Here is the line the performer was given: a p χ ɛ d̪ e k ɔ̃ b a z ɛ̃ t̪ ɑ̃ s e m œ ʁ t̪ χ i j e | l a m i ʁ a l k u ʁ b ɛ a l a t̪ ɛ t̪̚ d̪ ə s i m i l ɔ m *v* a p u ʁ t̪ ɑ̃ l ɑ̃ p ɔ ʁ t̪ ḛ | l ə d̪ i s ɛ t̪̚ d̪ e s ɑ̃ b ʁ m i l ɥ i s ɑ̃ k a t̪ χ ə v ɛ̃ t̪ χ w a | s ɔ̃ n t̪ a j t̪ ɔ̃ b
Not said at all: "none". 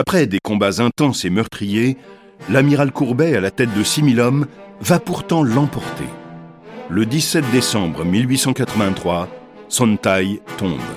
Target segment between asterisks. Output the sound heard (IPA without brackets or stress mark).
v